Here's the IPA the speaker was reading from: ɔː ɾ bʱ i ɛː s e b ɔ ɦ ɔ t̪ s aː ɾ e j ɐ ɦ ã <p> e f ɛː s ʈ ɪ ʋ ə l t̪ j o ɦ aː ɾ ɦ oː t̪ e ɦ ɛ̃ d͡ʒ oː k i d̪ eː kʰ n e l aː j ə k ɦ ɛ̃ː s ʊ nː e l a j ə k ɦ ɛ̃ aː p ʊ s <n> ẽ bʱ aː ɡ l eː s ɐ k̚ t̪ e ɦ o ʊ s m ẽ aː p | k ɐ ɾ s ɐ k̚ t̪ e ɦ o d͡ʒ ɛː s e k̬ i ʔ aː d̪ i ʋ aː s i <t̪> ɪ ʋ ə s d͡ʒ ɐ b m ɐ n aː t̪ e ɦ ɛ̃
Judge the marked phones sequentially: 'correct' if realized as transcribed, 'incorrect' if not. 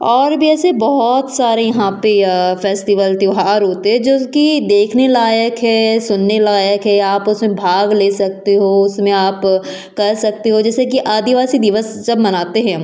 correct, incorrect, incorrect

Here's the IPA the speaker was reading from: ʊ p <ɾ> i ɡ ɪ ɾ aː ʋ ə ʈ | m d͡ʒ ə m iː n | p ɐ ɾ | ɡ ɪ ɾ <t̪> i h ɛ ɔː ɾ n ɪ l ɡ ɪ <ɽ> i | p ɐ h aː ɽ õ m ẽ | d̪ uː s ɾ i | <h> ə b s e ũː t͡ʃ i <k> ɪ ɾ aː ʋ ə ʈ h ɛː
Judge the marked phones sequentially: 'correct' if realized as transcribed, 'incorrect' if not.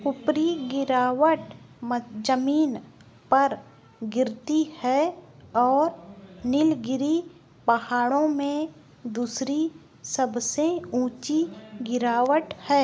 correct, correct, incorrect, incorrect, incorrect

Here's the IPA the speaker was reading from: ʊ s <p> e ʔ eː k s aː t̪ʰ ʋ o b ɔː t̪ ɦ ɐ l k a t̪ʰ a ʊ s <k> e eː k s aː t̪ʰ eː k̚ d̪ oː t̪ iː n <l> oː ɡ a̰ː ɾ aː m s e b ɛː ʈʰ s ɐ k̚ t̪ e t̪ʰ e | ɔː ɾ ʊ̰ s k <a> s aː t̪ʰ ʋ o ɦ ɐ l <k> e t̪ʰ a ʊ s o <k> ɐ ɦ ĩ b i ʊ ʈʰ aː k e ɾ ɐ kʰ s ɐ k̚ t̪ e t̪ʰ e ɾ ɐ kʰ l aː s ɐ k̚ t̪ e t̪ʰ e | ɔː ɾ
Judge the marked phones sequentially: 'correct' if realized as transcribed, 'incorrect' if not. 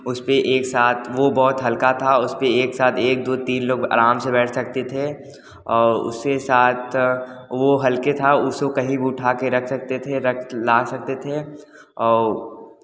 correct, incorrect, correct, incorrect, correct, correct

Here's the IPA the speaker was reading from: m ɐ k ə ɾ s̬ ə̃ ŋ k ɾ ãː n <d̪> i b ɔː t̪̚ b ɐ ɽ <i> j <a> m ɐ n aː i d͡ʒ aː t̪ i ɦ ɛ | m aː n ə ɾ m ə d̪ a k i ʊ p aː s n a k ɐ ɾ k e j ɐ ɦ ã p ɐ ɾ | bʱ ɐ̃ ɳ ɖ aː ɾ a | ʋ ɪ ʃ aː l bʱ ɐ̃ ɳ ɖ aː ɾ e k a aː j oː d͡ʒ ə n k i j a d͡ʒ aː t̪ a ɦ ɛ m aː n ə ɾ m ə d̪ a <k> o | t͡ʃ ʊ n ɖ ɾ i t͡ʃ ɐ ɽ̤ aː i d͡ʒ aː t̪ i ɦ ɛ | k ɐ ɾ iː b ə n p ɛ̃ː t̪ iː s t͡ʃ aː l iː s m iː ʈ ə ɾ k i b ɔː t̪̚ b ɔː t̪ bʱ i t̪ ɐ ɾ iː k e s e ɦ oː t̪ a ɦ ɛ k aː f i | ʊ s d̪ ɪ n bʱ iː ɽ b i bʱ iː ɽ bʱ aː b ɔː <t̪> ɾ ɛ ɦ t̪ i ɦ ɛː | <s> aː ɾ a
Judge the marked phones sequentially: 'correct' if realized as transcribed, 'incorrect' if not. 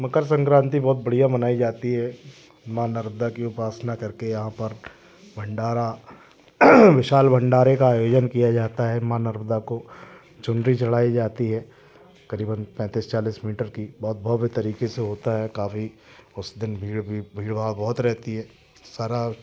incorrect, correct, correct, correct, correct, correct

